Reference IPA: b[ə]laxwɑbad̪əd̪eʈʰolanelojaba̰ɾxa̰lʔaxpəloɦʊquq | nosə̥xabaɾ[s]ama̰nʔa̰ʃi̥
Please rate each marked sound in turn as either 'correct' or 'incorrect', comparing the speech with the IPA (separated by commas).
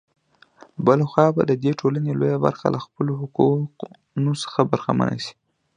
correct, incorrect